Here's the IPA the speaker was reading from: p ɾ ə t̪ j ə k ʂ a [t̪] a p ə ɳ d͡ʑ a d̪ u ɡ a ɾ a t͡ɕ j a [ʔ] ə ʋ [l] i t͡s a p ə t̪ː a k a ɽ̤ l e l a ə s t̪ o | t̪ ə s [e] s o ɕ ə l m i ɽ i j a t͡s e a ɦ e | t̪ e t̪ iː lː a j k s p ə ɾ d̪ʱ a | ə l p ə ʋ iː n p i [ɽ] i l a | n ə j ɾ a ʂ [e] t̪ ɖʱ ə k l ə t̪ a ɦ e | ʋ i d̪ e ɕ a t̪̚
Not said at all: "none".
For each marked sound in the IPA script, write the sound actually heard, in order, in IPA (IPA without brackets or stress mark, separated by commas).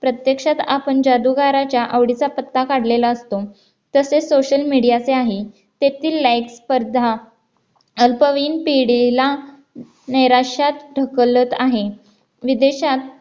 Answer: t̪, ʔ, ɽ, e, ɽ, a